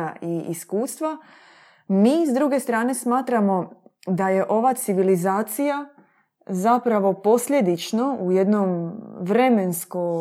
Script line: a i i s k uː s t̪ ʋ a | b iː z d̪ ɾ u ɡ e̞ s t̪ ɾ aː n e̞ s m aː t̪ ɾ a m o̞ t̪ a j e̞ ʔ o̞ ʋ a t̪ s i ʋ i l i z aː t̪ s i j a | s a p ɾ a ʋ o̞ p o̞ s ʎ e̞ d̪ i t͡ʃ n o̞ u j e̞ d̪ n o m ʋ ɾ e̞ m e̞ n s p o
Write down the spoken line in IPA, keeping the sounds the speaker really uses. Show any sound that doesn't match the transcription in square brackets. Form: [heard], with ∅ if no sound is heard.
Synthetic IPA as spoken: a i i s k uː s t̪ ʋ a | [m] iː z d̪ ɾ u ɡ e̞ s t̪ ɾ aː n e̞ s m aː t̪ ɾ a m o̞ [d̪] a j e̞ ʔ o̞ ʋ a t̪ s i ʋ i l i z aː t̪ s i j a | [z] a p ɾ a ʋ o̞ p o̞ s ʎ e̞ d̪ i t͡ʃ n o̞ u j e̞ d̪ n o m ʋ ɾ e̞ m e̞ n s [k] o